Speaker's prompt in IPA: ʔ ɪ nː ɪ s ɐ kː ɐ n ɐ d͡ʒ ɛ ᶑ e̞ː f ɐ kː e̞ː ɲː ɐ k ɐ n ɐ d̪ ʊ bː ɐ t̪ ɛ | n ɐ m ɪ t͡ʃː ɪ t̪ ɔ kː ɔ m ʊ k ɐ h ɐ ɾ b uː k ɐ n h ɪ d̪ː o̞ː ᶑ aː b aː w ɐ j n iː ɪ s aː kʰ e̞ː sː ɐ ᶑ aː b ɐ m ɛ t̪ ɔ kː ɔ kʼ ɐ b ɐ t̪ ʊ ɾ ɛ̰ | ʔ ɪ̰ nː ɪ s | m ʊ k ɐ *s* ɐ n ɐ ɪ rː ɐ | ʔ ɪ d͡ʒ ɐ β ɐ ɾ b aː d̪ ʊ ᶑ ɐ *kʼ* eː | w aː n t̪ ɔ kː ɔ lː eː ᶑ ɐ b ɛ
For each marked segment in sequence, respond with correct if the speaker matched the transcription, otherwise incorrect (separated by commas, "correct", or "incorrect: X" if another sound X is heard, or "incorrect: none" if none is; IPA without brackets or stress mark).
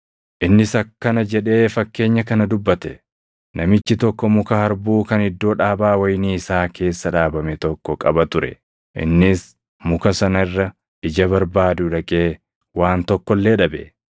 correct, correct